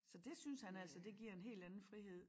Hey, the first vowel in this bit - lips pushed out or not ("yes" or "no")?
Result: yes